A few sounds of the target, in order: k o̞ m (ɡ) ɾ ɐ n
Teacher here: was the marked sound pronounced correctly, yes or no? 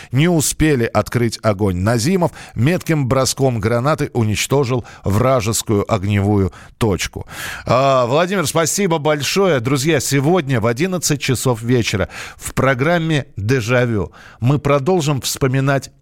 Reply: yes